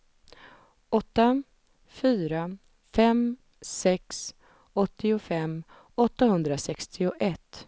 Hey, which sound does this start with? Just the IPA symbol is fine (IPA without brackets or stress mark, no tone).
ɔ